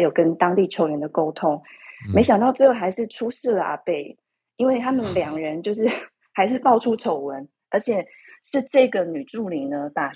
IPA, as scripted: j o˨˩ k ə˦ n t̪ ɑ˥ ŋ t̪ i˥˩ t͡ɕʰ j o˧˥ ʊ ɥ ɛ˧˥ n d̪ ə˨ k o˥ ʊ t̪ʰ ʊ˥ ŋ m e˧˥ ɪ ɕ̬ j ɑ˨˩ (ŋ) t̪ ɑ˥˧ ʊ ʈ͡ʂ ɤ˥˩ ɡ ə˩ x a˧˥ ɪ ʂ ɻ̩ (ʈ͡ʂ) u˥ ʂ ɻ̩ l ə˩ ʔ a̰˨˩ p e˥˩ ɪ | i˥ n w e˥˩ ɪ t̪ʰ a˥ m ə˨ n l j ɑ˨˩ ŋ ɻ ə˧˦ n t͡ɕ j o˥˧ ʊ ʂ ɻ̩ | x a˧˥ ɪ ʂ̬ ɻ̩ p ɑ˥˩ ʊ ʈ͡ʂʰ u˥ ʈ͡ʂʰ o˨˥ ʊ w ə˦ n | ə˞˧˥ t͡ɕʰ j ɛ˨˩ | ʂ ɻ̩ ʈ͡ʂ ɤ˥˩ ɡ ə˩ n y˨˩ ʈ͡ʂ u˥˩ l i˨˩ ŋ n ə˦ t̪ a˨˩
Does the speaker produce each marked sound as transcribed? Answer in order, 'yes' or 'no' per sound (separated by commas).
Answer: yes, no